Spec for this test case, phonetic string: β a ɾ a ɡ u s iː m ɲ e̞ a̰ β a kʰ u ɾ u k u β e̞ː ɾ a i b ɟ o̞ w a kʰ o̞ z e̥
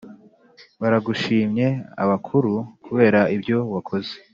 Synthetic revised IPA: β a ɾ a ɡ u ʃ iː m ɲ e̞ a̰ β a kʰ u ɾ u k u β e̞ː ɾ a i b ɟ o̞ w a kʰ o̞ z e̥